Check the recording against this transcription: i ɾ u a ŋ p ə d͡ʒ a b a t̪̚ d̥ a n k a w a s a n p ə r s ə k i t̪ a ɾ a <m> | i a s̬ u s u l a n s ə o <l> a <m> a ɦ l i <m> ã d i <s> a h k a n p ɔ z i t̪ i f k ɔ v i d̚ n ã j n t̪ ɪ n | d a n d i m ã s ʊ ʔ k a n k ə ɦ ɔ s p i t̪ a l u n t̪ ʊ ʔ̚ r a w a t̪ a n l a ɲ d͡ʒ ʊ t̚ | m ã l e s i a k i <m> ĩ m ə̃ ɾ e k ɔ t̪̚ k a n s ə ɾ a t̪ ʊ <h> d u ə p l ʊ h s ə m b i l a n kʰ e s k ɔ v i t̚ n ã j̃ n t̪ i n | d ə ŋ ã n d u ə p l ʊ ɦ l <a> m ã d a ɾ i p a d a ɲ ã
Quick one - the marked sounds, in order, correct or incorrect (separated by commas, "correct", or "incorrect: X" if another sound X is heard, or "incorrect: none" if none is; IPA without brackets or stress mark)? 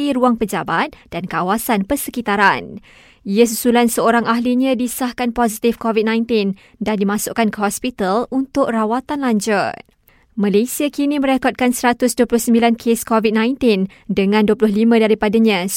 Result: incorrect: n, incorrect: ɾ, incorrect: ŋ, incorrect: ɲ, correct, incorrect: n, incorrect: s, incorrect: i